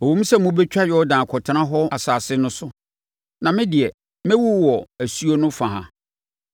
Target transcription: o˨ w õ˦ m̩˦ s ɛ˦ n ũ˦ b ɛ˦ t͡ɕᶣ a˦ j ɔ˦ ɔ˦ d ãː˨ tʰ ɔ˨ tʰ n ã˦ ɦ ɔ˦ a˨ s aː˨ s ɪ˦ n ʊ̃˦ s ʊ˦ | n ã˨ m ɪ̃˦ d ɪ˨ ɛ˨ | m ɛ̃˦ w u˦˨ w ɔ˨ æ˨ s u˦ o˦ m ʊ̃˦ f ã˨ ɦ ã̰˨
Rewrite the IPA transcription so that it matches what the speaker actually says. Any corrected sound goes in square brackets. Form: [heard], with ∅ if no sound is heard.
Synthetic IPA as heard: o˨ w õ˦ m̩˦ s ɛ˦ [m] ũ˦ b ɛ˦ t͡ɕᶣ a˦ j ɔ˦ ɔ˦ d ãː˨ [kʰ] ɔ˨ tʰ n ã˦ ɦ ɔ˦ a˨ s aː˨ s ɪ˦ n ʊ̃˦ s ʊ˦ | n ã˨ m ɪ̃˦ d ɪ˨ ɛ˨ | m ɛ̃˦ w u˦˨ w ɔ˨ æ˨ s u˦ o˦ [n] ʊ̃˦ f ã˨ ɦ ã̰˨